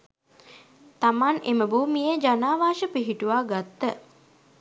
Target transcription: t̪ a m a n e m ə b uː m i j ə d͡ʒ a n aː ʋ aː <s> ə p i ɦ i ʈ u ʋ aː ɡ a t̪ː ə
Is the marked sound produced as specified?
no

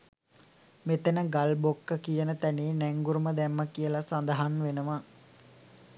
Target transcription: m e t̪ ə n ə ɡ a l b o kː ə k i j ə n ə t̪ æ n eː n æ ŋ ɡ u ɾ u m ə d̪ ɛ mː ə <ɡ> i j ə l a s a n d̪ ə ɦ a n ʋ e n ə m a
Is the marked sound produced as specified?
no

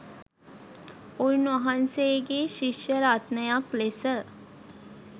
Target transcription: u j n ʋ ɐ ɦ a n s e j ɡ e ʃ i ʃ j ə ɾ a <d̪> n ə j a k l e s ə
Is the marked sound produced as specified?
no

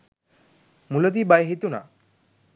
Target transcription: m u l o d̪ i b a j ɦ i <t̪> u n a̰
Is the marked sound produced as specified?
yes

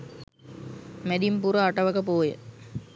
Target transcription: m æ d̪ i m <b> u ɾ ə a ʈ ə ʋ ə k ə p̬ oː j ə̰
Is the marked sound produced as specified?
no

